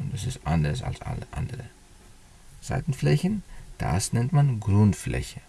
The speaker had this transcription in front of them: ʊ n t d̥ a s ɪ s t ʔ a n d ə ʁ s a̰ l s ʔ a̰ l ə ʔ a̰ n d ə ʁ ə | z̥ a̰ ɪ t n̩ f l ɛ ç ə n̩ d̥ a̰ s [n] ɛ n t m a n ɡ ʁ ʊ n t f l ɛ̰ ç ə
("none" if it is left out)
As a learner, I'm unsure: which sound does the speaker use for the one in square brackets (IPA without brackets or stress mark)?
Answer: n